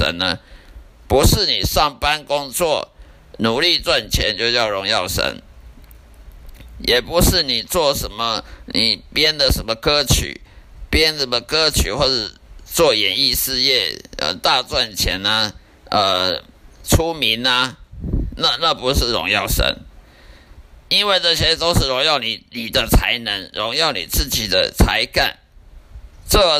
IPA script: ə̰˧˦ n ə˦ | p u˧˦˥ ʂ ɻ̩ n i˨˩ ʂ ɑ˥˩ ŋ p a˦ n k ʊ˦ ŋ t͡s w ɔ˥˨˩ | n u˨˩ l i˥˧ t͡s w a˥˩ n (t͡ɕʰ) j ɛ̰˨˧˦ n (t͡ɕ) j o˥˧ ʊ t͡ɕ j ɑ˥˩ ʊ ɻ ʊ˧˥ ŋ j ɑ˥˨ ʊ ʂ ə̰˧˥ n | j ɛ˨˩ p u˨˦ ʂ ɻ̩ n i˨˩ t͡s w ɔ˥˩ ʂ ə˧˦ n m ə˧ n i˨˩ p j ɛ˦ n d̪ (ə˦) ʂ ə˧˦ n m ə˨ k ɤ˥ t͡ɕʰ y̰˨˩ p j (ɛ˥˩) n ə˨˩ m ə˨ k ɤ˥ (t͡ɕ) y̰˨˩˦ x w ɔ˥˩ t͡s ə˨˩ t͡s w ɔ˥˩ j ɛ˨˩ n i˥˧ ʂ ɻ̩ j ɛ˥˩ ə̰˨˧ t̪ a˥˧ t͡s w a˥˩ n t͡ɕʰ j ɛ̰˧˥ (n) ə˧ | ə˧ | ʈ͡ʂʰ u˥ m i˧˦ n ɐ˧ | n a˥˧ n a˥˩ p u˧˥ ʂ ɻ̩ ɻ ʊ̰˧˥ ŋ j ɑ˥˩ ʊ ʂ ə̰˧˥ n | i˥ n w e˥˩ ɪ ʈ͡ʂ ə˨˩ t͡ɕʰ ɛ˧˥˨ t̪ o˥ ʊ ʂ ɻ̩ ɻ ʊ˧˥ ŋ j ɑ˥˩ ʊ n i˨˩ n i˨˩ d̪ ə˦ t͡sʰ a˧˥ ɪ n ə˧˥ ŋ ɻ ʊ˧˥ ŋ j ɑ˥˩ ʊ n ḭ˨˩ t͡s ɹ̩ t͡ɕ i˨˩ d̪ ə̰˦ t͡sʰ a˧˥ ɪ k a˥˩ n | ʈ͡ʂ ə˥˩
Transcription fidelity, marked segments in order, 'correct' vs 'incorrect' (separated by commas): correct, correct, incorrect, incorrect, incorrect, correct